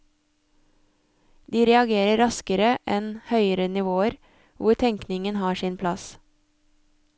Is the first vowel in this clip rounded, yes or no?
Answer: no